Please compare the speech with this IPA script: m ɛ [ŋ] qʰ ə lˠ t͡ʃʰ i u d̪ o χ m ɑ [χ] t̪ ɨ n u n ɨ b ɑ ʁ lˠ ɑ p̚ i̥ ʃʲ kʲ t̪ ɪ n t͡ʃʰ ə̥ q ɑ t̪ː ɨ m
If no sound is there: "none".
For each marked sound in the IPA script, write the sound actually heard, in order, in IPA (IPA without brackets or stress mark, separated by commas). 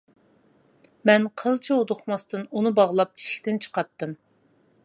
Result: n, s